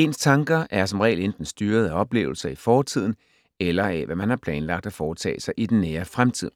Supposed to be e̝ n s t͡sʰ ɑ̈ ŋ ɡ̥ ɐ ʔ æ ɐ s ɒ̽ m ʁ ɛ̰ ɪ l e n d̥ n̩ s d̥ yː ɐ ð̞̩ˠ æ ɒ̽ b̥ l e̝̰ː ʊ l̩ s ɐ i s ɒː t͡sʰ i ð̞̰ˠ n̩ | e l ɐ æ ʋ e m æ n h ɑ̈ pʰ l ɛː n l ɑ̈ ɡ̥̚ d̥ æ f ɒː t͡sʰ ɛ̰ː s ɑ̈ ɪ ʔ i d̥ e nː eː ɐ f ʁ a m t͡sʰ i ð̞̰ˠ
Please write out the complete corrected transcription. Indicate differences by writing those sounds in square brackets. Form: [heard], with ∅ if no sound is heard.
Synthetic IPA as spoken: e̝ n s t͡sʰ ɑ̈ ŋ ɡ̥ ɐ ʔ æ ɐ s ɒ̽ m ʁ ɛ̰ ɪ l e n d̥ n̩ s d̥ yː ɐ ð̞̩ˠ æ ɒ̽ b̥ l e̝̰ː ʊ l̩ s ɐ i [f] ɒː t͡sʰ i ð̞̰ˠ n̩ | e l ɐ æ ʋ [æ] m æ n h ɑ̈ pʰ l ɛː n l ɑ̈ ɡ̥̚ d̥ æ f ɒː t͡sʰ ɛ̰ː s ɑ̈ ɪ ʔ i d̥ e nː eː ɐ f ʁ a m t͡sʰ i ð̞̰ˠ